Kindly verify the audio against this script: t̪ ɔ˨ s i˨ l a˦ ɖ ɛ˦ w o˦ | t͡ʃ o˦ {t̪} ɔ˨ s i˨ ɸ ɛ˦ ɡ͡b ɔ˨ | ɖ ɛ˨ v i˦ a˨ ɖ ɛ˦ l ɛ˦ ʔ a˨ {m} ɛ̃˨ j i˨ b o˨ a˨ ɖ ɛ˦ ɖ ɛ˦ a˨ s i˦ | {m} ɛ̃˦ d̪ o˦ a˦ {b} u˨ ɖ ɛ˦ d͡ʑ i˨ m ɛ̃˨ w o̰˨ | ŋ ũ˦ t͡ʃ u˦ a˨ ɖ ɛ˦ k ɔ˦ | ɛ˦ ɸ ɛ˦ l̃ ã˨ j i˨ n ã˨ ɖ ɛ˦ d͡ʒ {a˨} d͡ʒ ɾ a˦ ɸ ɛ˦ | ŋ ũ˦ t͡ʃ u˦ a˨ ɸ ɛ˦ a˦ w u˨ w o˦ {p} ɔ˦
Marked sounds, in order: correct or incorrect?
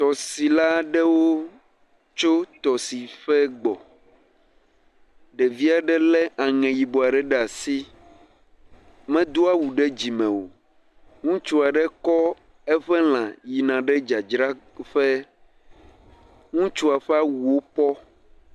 correct, incorrect: ŋ, correct, incorrect: w, correct, correct

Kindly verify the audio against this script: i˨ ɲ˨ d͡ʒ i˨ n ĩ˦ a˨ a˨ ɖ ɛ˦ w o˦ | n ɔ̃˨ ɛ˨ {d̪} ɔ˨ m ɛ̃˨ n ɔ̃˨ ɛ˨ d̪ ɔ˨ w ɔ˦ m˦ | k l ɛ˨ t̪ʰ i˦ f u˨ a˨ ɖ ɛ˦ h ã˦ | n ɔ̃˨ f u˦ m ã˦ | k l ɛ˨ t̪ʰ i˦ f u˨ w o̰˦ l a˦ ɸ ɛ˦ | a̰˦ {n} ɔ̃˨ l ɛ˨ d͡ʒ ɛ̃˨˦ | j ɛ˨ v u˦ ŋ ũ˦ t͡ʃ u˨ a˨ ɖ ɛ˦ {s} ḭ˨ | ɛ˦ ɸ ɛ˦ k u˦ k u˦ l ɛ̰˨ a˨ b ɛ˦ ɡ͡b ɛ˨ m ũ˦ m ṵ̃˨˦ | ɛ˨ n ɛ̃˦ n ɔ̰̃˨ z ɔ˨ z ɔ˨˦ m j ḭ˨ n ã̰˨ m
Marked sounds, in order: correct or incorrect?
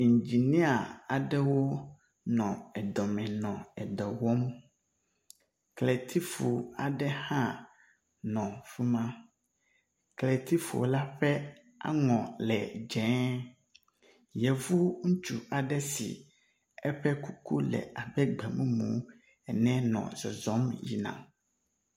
correct, incorrect: ŋ, correct

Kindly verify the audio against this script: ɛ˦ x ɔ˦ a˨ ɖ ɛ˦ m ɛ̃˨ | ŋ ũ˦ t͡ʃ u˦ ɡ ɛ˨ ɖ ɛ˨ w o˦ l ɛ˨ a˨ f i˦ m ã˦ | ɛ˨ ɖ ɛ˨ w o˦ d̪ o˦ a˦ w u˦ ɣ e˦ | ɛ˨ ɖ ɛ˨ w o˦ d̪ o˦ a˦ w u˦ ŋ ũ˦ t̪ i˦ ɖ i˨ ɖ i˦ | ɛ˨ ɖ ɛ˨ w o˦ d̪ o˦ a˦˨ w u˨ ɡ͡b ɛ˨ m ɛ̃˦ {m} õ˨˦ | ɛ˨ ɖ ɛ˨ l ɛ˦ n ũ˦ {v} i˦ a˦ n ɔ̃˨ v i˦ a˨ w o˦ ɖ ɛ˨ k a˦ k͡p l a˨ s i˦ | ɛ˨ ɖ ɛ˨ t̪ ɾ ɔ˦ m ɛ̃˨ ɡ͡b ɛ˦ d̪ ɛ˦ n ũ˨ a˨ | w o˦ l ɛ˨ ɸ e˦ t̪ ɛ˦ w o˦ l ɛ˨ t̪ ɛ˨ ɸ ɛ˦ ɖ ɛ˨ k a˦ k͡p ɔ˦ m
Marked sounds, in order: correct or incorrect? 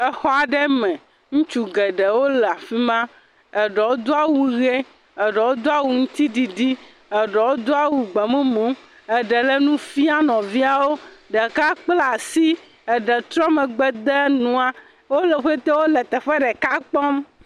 correct, incorrect: f

